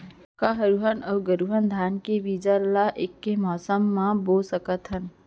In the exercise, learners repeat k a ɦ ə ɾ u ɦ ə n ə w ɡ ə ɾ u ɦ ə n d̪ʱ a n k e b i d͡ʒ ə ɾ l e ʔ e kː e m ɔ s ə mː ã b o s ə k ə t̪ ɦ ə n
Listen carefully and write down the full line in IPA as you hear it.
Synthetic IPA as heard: k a ɦ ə ɾ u ɦ ə n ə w ɡ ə ɾ u ɦ ə n d̪ʱ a n k e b i d͡ʒ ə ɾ l a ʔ e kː e m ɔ s ə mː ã b o s ə k ə t̪ ɦ ə n